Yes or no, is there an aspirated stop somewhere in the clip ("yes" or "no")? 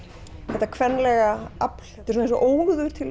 yes